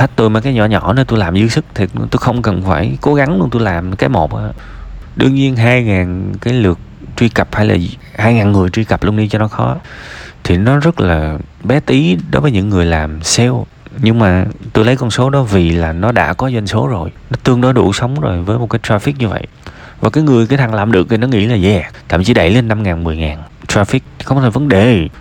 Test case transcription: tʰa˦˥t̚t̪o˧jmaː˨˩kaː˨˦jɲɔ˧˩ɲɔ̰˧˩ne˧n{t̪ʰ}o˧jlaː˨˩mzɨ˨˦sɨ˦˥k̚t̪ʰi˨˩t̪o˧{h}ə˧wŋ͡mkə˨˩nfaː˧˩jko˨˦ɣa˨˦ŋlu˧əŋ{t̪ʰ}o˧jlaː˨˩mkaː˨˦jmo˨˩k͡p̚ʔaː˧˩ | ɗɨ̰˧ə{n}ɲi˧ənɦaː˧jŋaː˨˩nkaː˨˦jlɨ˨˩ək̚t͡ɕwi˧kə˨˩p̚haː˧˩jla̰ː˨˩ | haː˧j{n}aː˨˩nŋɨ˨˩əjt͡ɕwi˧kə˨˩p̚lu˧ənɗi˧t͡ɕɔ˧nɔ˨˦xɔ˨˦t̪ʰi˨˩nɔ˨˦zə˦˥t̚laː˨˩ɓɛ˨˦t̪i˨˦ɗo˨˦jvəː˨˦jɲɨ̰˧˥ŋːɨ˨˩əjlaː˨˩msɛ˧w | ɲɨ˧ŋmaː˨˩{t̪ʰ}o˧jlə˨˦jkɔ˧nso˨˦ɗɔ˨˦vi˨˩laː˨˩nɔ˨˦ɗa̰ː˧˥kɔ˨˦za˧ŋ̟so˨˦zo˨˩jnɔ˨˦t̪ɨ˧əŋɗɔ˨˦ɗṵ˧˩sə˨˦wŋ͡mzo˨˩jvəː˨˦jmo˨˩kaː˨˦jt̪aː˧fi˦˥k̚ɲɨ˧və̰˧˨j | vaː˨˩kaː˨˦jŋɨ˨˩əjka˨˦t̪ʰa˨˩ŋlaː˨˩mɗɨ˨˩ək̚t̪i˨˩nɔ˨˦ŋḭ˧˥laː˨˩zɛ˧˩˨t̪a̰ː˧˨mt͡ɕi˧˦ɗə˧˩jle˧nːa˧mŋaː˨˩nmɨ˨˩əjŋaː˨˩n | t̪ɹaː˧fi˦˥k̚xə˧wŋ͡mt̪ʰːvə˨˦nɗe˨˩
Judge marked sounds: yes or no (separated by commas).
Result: no, no, no, no, no, no